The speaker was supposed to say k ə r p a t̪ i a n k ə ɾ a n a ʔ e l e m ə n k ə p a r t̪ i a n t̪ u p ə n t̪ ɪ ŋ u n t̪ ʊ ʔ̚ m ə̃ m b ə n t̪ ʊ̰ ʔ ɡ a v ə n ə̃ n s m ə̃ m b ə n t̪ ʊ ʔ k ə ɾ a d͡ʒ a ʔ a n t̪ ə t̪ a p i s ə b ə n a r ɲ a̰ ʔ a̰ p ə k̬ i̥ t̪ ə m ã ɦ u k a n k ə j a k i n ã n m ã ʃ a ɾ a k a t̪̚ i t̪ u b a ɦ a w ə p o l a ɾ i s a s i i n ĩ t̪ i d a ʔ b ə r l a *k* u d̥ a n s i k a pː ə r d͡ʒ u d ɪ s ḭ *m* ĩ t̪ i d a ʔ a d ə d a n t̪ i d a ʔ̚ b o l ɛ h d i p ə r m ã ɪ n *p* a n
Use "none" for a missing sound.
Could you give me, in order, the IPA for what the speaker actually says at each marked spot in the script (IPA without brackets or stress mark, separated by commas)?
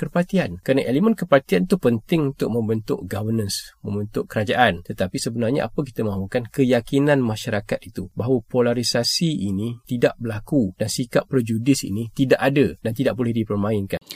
k, n, k